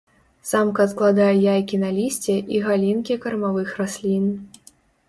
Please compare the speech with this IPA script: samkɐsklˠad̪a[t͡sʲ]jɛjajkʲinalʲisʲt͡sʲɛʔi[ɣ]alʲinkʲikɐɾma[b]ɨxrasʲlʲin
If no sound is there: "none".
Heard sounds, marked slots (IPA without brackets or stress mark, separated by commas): none, ɣ, v